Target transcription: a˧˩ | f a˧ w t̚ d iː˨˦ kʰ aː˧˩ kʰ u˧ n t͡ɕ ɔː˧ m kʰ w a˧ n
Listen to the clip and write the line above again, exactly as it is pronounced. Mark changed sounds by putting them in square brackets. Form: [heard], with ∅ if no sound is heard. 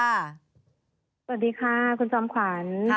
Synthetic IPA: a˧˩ | [s] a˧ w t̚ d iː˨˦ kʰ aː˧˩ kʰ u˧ n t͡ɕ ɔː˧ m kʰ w [a˩˦] n